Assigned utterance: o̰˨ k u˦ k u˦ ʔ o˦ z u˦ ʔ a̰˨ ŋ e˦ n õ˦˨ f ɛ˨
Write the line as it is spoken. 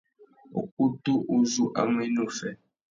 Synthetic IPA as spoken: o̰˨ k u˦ t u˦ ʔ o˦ z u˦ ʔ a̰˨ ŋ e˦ n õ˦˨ f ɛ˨